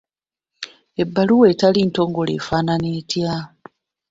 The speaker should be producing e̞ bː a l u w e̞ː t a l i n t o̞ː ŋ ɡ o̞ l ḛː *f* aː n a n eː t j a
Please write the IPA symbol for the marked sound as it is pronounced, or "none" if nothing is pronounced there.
f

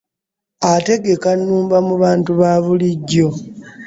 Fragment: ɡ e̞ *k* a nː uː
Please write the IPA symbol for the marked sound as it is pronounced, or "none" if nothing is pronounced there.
k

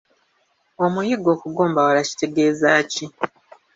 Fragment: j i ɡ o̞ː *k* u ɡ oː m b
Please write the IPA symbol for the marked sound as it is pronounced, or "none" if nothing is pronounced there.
k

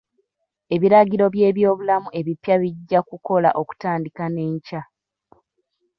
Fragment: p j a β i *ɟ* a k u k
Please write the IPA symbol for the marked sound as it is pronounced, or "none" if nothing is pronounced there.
ɟː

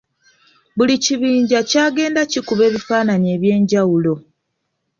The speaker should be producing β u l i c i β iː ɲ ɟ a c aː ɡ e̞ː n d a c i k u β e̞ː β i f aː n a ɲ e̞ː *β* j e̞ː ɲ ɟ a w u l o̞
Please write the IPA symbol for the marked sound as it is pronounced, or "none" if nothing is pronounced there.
β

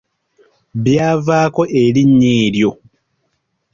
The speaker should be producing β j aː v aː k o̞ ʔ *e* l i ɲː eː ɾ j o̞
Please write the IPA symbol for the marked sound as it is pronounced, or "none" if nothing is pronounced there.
e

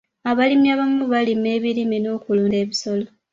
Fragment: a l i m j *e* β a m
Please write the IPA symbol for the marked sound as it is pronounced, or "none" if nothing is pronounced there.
a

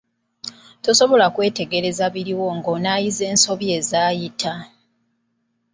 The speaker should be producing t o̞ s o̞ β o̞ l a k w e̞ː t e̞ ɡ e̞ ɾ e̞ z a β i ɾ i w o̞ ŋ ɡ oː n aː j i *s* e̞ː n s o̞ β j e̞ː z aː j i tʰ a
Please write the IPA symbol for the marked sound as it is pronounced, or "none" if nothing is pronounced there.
z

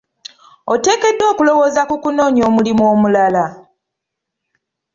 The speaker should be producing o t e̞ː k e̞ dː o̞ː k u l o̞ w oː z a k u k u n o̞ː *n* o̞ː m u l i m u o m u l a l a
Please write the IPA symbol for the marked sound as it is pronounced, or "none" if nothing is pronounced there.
ɲ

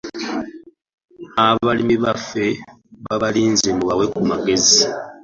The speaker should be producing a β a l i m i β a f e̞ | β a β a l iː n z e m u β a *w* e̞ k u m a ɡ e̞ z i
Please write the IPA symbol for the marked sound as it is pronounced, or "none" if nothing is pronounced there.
w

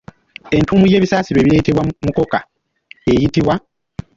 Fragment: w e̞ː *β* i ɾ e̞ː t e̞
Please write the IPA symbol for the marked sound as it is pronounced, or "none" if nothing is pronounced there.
β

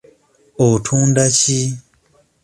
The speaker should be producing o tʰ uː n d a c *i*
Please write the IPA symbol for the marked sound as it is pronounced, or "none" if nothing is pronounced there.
i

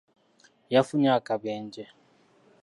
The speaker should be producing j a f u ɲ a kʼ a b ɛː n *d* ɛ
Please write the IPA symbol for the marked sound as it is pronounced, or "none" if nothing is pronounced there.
d͡ʒ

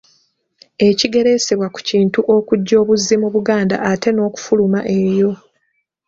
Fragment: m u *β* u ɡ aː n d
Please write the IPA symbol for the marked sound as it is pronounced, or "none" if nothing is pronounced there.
β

